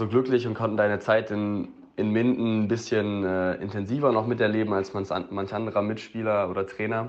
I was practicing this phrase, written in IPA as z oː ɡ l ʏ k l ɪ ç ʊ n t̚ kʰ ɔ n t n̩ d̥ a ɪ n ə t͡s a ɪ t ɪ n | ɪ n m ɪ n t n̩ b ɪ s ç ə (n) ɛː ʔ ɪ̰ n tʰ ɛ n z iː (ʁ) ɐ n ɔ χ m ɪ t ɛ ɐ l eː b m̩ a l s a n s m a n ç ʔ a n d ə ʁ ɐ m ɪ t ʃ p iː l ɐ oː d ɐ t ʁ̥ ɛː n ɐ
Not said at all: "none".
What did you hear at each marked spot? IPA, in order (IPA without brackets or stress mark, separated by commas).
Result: n, v